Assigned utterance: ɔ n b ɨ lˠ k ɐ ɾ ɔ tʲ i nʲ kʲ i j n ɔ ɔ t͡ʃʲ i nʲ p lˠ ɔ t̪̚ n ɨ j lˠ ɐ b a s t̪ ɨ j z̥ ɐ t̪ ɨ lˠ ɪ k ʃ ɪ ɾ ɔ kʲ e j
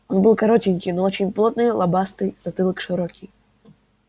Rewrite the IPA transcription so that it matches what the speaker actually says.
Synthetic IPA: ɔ n b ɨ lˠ k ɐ ɾ ɔ tʲ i nʲ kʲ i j n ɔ ɔ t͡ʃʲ i nʲ p lˠ ɔ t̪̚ n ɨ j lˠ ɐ b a s t̪ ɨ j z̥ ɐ t̪ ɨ lˠ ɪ k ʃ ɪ ɾ ɔ kʲ i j